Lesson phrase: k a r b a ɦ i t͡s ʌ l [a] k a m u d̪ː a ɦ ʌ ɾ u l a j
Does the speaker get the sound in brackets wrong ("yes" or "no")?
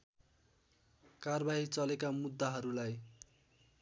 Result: yes